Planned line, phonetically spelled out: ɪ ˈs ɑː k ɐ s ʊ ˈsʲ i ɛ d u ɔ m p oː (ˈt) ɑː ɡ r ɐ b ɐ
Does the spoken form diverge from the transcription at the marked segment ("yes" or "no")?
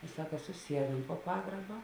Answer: yes